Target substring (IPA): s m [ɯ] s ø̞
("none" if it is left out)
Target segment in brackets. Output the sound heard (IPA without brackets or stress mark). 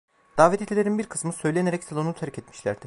ɯ